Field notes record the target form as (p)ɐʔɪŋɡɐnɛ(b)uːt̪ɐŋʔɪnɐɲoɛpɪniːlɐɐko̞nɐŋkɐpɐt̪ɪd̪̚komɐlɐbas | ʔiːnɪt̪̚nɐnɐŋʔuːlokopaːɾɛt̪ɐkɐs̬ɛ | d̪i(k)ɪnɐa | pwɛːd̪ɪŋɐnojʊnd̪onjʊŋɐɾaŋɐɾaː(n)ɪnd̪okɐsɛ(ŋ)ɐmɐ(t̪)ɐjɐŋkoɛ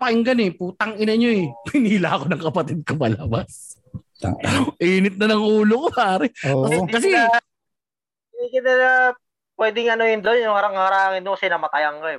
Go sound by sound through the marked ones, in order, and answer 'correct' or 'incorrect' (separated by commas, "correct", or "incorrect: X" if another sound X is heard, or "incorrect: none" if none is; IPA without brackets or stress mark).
correct, incorrect: p, correct, incorrect: ŋ, incorrect: n, correct